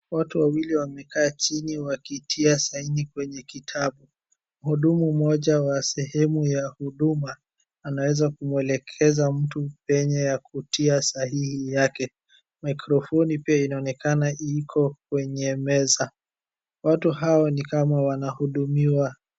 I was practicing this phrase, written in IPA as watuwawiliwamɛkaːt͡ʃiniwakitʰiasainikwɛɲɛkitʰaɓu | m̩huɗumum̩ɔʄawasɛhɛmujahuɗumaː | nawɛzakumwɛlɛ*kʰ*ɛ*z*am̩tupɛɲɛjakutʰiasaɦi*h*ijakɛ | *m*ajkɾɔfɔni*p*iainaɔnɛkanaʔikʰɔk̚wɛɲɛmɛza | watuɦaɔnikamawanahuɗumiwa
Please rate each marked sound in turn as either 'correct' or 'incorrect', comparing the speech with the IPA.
correct, correct, correct, correct, correct

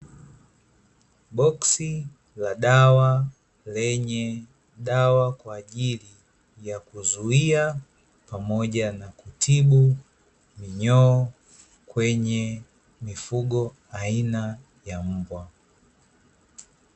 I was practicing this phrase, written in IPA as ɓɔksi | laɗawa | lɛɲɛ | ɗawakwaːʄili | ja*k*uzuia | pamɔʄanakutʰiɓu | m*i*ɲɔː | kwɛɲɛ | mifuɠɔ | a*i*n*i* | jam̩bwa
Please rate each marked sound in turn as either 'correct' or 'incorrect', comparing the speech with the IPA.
correct, correct, correct, incorrect

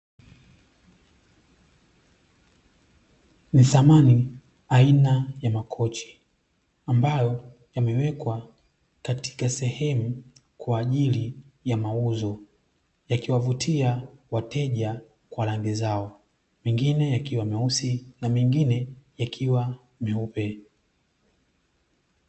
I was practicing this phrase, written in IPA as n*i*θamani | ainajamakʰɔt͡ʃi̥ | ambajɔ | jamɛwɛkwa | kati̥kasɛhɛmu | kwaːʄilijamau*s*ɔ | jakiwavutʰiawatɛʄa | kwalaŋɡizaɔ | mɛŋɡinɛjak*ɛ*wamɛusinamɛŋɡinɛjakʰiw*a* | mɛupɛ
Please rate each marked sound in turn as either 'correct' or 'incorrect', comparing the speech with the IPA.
correct, incorrect, incorrect, correct

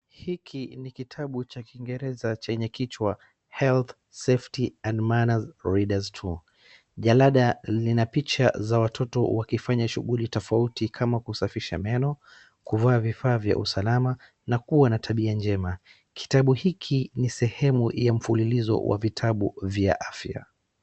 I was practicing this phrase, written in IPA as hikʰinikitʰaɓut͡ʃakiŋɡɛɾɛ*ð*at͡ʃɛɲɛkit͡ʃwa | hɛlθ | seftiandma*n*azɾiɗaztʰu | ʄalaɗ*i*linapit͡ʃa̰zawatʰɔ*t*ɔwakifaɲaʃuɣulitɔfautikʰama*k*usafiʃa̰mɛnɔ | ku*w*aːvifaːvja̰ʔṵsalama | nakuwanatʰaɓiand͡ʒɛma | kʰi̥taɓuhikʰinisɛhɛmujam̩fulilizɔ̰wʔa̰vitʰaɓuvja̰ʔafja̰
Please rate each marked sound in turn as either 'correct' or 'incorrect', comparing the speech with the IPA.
incorrect, correct, incorrect, correct, correct, incorrect

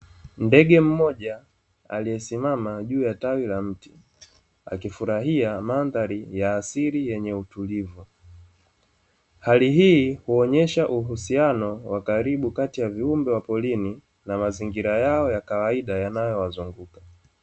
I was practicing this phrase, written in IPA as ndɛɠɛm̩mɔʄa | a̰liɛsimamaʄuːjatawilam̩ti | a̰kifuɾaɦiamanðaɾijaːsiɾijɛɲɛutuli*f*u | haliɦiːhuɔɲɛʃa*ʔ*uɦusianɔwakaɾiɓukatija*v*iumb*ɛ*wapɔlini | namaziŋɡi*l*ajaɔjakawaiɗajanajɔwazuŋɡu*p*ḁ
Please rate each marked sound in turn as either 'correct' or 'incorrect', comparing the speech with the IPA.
incorrect, correct, correct, correct, incorrect, incorrect

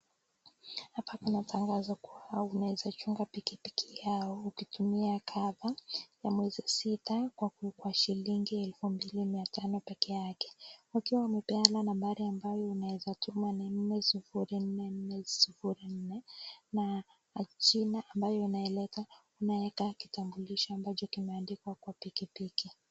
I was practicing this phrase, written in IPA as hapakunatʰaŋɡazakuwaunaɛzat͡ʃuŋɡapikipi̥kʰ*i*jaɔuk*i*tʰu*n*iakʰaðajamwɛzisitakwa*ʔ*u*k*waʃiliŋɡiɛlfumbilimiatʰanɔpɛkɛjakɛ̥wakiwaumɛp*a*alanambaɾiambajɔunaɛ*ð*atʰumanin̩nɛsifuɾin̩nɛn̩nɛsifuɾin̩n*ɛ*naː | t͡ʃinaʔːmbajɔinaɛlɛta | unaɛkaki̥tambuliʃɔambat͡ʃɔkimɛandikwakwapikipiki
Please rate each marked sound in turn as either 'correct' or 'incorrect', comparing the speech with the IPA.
correct, correct, incorrect, incorrect, correct, incorrect, incorrect, correct

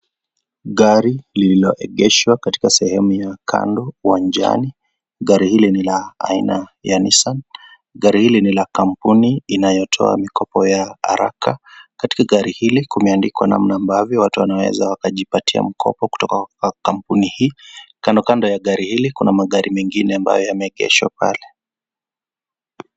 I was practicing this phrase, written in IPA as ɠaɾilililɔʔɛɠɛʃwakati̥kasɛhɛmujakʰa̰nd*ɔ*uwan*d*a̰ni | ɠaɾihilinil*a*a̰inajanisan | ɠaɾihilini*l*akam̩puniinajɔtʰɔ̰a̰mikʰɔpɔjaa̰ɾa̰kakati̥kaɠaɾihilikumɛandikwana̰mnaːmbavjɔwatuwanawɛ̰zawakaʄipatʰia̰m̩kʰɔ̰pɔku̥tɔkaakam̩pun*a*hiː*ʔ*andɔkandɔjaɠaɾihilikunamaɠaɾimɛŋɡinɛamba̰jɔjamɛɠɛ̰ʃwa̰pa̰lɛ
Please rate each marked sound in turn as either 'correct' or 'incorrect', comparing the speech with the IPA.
correct, incorrect, correct, correct, incorrect, incorrect

